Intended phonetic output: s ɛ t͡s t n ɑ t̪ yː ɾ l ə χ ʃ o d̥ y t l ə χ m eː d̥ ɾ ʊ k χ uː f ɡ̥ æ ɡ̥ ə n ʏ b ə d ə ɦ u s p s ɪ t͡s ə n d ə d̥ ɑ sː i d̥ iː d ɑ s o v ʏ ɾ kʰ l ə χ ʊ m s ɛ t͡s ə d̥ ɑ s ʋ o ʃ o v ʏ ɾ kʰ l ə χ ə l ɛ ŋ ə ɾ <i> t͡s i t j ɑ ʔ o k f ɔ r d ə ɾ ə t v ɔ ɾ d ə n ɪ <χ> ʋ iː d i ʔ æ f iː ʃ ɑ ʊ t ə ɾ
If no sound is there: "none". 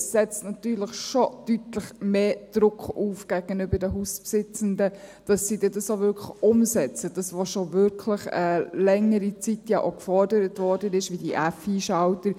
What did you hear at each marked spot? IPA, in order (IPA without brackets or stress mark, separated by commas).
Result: i, ʃ